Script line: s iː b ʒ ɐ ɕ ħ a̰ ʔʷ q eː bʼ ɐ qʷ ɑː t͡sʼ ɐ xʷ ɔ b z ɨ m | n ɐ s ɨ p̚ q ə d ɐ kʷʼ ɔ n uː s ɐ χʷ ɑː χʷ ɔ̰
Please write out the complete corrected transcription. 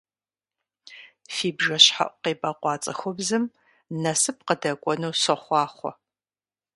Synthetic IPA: f iː b ʒ ɐ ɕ ħ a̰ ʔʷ q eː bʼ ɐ qʷ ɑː t͡sʼ ɐ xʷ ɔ b z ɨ m | n ɐ s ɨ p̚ q ə d ɐ kʷʼ ɔ n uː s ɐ χʷ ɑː χʷ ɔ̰